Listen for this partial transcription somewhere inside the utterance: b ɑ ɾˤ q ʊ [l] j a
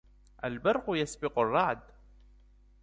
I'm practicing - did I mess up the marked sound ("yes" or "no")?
yes